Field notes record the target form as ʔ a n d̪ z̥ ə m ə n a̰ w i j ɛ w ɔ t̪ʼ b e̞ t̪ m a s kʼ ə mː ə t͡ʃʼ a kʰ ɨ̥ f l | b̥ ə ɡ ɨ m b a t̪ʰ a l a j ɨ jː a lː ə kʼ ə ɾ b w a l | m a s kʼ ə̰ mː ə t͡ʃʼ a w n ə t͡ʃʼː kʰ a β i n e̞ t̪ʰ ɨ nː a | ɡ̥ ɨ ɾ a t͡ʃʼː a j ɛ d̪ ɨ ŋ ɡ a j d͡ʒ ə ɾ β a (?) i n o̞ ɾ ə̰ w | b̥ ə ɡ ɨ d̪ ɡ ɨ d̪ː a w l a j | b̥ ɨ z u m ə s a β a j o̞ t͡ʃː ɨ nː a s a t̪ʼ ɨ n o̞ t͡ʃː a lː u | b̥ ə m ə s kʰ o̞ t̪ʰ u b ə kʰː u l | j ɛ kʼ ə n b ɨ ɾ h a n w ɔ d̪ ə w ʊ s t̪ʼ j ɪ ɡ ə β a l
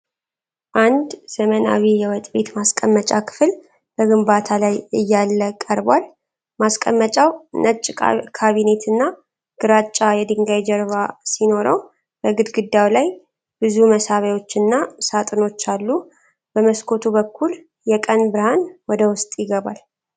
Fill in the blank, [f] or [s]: s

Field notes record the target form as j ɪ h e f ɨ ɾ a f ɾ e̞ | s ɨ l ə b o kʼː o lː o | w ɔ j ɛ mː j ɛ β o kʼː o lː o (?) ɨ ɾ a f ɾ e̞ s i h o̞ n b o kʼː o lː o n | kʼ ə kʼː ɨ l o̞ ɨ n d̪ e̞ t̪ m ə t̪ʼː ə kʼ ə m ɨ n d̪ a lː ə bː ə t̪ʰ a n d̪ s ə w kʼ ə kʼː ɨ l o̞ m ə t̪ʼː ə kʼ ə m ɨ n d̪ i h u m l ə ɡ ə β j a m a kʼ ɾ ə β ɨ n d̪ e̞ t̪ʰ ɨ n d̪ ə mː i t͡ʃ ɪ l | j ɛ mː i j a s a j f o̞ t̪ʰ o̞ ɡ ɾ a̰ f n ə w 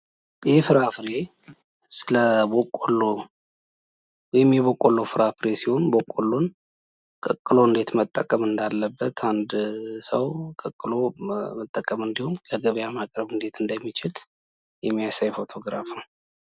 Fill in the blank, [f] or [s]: f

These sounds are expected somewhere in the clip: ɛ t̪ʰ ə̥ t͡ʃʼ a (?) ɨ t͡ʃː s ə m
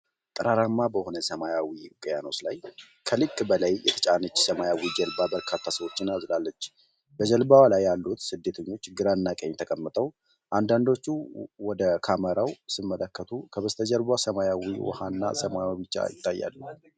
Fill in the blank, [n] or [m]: n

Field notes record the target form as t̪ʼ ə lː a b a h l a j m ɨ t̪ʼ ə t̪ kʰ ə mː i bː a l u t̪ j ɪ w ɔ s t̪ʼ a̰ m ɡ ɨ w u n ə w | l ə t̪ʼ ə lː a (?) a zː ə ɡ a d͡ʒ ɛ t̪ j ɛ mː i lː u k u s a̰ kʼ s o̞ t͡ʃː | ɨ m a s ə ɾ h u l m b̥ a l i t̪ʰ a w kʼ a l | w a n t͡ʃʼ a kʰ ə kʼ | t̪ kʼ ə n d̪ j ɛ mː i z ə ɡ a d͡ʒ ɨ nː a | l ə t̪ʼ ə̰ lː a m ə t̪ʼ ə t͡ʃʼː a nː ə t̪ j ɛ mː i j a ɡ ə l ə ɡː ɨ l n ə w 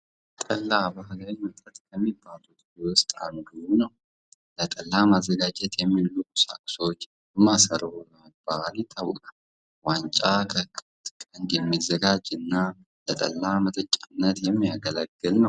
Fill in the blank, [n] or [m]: m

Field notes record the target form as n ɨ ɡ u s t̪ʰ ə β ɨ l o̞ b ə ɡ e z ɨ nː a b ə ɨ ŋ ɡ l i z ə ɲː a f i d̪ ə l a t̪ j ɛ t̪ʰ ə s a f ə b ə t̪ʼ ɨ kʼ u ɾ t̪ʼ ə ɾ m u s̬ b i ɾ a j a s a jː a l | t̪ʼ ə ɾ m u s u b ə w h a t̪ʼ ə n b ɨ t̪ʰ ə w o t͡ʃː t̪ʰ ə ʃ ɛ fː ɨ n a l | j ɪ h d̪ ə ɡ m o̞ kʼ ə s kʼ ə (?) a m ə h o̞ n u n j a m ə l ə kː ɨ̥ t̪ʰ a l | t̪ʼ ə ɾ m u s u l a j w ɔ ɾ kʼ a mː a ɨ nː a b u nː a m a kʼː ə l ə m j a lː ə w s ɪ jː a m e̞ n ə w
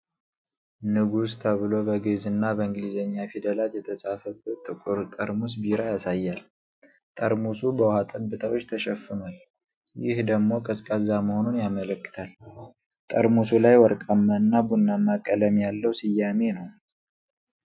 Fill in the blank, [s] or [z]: z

